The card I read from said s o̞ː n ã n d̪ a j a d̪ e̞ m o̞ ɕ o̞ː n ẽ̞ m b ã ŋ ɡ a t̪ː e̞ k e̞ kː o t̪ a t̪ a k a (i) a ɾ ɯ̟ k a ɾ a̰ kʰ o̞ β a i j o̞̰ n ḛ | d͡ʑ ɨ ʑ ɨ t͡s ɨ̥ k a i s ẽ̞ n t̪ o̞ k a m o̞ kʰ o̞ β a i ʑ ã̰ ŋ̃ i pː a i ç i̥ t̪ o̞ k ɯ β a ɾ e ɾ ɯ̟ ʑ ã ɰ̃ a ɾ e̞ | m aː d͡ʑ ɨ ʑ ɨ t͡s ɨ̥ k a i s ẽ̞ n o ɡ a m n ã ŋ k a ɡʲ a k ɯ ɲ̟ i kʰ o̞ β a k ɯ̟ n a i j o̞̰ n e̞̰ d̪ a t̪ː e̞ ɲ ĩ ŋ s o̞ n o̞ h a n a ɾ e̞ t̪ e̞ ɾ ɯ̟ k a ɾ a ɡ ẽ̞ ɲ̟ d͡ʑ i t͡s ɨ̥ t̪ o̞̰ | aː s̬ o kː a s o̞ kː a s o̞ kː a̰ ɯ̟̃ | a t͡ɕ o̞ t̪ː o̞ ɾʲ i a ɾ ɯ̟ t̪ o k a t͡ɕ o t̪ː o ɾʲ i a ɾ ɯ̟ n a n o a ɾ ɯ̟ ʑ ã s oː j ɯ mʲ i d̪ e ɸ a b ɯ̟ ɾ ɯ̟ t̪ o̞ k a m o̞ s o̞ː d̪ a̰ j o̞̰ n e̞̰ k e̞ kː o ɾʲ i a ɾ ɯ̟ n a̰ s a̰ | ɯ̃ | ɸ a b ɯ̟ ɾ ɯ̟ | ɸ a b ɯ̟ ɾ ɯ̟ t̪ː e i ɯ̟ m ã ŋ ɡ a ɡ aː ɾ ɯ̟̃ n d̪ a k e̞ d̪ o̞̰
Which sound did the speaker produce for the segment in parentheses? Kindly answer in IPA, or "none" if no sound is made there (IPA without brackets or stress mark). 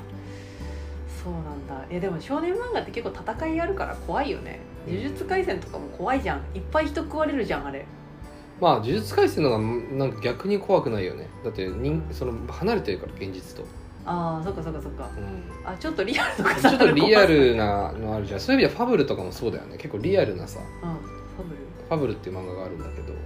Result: i